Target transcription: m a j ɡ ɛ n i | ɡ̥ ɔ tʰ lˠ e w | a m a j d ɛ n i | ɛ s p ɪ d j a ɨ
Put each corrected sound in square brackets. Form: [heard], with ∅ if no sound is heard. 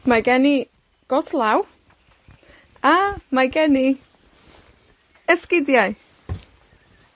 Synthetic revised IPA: m a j ɡ ɛ n i | ɡ̥ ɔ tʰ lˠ [a] w | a m a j [ɡ] ɛ n i | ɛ s [k] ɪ d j a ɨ